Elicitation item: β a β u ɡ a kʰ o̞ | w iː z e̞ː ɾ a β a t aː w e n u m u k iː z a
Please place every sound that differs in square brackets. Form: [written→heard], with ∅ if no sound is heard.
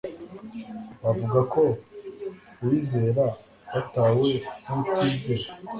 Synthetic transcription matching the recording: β a [β→v] u ɡ a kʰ o̞ | w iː z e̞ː ɾ a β a t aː w e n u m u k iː z [a→e]